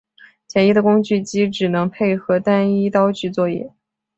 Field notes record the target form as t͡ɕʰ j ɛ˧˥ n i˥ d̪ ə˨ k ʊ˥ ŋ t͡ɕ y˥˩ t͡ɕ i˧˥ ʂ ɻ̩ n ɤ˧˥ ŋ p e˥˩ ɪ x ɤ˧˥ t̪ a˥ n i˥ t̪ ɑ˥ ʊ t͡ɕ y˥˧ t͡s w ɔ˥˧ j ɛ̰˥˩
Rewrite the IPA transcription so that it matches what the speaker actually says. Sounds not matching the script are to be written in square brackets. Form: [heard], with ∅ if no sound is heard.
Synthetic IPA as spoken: t͡ɕʰ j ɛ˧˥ n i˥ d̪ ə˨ k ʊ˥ ŋ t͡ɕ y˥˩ t͡ɕ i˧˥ [ʈ͡ʂ] ɻ̩ n ɤ˧˥ ŋ [pʰ] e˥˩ ɪ x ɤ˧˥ t̪ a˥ n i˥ t̪ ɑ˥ ʊ t͡ɕ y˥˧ t͡s w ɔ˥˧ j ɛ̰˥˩

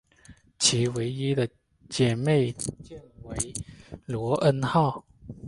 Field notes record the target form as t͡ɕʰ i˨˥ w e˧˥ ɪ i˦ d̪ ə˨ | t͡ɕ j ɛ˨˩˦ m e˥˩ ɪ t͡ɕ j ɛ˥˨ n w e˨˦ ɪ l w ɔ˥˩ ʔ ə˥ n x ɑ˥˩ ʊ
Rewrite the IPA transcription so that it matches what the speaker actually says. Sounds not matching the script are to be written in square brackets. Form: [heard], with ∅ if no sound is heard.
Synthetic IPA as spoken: t͡ɕʰ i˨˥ w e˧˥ ɪ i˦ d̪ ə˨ | t͡ɕ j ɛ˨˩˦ m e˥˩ ɪ t͡ɕ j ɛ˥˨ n w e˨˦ ɪ l w [ɔ˧˥˦] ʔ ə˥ n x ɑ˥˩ ʊ

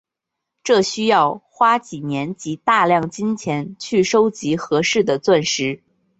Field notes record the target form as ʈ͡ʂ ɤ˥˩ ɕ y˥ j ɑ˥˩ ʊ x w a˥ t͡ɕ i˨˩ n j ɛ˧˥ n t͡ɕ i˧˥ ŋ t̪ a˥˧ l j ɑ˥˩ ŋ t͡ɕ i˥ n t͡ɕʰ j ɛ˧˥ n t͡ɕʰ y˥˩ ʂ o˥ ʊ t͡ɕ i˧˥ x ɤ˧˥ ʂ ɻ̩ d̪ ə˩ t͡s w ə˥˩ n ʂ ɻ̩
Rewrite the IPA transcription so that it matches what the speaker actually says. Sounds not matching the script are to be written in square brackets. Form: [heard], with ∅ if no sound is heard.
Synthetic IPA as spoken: ʈ͡ʂ ɤ˥˩ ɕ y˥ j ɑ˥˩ ʊ x w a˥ t͡ɕ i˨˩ n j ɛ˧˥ n t͡ɕ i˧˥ [∅] t̪ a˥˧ l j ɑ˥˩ ŋ t͡ɕ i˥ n t͡ɕʰ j ɛ˧˥ n t͡ɕʰ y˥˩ ʂ o˥ ʊ t͡ɕ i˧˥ x ɤ˧˥ ʂ ɻ̩ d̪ ə˩ t͡s w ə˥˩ n ʂ ɻ̩

